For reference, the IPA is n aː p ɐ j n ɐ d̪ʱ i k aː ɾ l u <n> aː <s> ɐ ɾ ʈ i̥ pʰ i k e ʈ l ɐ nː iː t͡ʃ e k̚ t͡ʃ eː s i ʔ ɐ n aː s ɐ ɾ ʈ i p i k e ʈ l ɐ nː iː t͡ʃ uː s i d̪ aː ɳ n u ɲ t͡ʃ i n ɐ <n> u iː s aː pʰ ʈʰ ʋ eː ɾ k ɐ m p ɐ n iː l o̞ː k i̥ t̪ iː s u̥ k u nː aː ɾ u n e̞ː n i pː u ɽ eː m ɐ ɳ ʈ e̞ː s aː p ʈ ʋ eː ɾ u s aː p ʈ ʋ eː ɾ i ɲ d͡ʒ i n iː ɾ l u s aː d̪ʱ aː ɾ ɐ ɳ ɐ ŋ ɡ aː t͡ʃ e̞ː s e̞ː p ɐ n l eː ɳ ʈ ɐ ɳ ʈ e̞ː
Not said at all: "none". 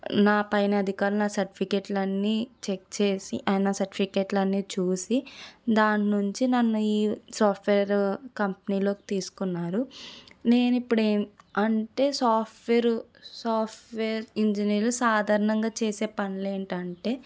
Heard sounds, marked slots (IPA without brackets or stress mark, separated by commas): n, s, nː